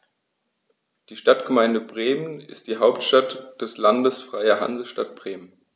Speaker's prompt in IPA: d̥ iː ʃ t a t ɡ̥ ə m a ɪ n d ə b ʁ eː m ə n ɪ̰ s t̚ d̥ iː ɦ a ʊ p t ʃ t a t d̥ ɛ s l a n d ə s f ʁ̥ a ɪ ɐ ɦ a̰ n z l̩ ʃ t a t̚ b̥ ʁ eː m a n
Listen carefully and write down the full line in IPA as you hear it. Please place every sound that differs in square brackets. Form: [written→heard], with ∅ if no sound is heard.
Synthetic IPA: d̥ iː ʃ t a t ɡ̥ ə m a ɪ n d ə b ʁ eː m ə n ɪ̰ s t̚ d̥ iː ɦ a ʊ p t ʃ t a t d̥ ɛ s l a n d ə s f ʁ̥ a ɪ ɐ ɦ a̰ n z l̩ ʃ t a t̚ b̥ ʁ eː m [a→ə] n

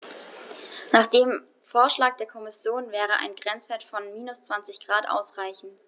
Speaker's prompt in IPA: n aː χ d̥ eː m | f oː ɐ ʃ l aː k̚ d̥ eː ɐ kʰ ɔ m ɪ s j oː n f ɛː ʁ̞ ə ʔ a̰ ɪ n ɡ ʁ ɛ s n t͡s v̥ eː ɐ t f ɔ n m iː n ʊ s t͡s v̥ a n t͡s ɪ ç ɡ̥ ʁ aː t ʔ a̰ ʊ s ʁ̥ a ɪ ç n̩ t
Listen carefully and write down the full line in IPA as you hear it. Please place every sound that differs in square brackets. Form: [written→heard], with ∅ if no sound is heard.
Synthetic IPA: n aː χ d̥ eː m | f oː ɐ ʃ l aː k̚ d̥ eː ɐ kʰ ɔ m ɪ s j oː n [f→v] ɛː ʁ̞ ə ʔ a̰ ɪ n ɡ ʁ ɛ [s→∅] n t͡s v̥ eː ɐ t f ɔ n m iː n ʊ s t͡s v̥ a n t͡s ɪ ç ɡ̥ ʁ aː t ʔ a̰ ʊ s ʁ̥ a ɪ ç n̩ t

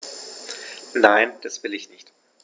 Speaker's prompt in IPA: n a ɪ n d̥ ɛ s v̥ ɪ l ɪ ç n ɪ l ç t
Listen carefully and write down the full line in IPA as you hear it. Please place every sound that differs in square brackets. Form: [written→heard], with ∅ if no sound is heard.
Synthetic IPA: n a ɪ n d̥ [ɛ→a] s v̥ ɪ l ɪ ç n ɪ [l→∅] ç t

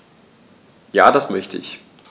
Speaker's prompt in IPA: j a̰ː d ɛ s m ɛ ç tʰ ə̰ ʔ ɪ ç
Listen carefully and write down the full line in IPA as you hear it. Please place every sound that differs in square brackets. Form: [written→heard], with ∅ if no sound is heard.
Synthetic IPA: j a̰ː d [ɛ→a] s m [ɛ→œ] ç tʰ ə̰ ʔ ɪ ç

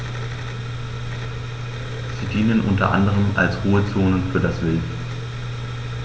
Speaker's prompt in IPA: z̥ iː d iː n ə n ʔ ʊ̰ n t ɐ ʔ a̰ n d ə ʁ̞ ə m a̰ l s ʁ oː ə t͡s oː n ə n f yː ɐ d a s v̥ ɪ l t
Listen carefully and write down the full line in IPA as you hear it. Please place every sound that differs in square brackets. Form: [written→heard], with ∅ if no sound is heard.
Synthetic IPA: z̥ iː d iː n ə n ʔ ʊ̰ n t ɐ ʔ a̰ n d ə ʁ̞ ə m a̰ l s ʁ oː ə t͡s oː n ə n f yː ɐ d a s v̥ ɪ l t

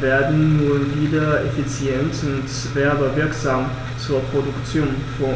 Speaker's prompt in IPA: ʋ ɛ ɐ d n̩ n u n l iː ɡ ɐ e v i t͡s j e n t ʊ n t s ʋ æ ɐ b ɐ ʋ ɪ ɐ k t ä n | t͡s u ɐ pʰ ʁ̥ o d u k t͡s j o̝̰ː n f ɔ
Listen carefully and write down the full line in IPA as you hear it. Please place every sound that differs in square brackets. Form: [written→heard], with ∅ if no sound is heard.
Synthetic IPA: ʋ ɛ ɐ d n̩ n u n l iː [ɡ→d] ɐ e [v→f] i t͡s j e n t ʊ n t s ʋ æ ɐ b ɐ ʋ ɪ ɐ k [t→s] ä [n→m] | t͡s u ɐ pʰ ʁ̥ o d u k t͡s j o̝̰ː n f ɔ

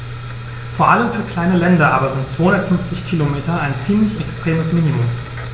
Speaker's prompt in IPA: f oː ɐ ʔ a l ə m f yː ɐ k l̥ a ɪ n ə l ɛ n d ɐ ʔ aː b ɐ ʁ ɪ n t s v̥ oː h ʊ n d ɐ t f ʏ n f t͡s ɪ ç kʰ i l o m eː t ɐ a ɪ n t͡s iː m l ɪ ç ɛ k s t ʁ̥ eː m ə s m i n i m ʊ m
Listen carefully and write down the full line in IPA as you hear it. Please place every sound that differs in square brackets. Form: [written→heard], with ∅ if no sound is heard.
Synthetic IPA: f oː ɐ ʔ a l ə m f yː ɐ k l̥ a ɪ n ə l ɛ n d ɐ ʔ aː b ɐ [ʁ→z] ɪ n t [s→t͡s] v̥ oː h ʊ n d ɐ t f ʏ n f t͡s ɪ ç kʰ i l o m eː t ɐ a ɪ n t͡s iː m l ɪ ç ɛ k s t ʁ̥ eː m ə s m i n i m ʊ m

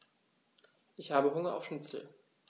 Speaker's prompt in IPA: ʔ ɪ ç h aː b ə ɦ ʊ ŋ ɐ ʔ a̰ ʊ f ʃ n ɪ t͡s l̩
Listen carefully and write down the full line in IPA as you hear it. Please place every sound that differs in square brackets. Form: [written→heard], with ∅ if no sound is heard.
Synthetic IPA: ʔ ɪ ç h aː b ə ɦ ʊ ŋ ɐ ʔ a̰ ʊ f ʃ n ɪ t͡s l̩

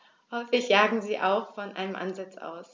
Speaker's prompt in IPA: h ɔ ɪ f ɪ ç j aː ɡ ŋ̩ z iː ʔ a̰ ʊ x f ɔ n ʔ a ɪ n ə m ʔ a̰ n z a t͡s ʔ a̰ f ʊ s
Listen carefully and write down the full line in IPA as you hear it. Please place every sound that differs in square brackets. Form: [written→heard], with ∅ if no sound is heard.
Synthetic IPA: h ɔ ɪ f ɪ ç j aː ɡ ŋ̩ z iː ʔ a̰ ʊ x f ɔ n ʔ a ɪ n ə m ʔ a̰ n z a t͡s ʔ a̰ [f→∅] ʊ s

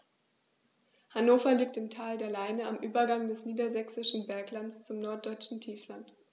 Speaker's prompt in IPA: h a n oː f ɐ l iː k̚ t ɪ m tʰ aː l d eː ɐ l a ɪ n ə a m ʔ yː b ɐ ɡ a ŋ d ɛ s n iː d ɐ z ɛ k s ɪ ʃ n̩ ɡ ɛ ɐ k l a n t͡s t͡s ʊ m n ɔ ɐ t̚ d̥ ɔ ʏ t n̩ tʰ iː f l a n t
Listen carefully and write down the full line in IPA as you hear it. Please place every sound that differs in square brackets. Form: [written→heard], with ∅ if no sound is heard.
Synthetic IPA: h a n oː f ɐ l iː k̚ t ɪ m tʰ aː l d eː ɐ l a ɪ n ə a m ʔ yː b ɐ ɡ a ŋ d ɛ s n iː d ɐ z ɛ k s ɪ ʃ n̩ [ɡ→b] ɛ ɐ k l a n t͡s t͡s ʊ m n ɔ ɐ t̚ d̥ ɔ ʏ [t→t͡ʃ] n̩ tʰ iː f l a n t

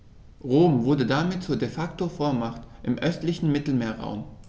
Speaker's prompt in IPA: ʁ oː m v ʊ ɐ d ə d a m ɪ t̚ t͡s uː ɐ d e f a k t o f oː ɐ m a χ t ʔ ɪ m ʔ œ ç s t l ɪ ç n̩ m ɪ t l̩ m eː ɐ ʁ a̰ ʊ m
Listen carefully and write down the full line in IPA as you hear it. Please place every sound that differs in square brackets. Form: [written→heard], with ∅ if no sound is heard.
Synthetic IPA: ʁ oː m v ʊ ɐ d ə d a m ɪ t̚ t͡s uː ɐ d e f a k t o f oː ɐ m a χ t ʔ ɪ m ʔ œ [ç→∅] s t l ɪ ç n̩ m ɪ t l̩ m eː ɐ ʁ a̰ ʊ m

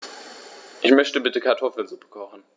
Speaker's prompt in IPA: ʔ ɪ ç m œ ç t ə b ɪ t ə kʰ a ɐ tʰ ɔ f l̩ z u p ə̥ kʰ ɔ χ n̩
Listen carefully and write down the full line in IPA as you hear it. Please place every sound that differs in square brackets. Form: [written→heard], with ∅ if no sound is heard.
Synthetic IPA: ʔ ɪ ç m œ ç t ə b ɪ t ə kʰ a ɐ tʰ ɔ f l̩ z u p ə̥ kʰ ɔ χ n̩

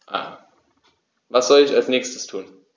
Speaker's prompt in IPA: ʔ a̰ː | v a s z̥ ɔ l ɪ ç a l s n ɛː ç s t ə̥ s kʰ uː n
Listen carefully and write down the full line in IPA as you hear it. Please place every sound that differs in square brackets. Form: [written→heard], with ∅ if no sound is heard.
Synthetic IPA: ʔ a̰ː | v a s z̥ ɔ l ɪ ç a l s n ɛː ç s t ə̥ s [kʰ→tʰ] uː n

